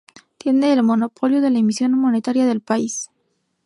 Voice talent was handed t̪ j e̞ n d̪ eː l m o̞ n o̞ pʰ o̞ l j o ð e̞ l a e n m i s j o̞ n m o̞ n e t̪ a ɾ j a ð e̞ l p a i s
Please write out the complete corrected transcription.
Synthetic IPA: t̪ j e̞ n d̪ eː l m o̞ n o̞ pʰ o̞ l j o ð e̞ l a e m i s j o̞ n m o̞ n e t̪ a ɾ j a ð e̞ l p a i s